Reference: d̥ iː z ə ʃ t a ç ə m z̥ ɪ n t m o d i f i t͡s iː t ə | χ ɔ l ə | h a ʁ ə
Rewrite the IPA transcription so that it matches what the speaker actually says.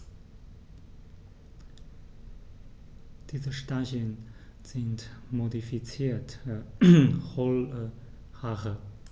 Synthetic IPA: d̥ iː z ə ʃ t a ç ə n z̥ ɪ n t m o d i f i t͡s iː t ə | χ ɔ l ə | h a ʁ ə